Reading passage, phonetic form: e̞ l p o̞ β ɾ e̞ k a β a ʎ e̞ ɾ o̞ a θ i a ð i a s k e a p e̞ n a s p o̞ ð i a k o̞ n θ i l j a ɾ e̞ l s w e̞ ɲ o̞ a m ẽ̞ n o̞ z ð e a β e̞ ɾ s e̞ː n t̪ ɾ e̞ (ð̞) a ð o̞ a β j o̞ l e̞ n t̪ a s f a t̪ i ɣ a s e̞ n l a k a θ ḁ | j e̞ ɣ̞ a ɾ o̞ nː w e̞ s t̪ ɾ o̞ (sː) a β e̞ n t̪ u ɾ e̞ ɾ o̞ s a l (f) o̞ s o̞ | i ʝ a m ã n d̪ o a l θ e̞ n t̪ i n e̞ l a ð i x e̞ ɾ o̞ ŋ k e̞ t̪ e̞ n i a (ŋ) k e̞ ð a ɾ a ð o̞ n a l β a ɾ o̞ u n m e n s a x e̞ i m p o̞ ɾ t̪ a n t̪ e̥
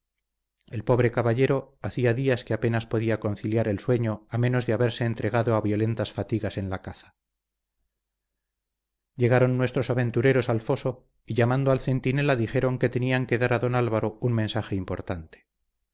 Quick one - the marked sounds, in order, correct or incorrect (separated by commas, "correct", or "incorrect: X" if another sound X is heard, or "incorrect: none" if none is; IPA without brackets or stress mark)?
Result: incorrect: ɣ̞, incorrect: s, correct, correct